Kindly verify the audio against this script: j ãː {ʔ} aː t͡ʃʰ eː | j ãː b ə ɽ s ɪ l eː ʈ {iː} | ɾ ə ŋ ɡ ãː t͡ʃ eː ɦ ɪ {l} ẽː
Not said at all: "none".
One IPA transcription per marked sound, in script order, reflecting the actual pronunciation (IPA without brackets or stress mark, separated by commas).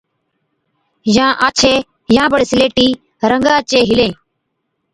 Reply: ʔ, iː, l